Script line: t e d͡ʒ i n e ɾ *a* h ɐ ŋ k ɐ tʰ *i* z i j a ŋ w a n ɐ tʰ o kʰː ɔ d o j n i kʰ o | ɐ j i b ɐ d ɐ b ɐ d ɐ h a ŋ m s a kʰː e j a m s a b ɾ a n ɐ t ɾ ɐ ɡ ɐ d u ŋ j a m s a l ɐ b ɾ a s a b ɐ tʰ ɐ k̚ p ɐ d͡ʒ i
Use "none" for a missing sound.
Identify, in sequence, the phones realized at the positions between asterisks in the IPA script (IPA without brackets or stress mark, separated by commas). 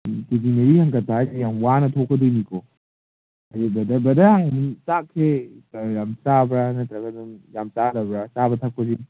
i, a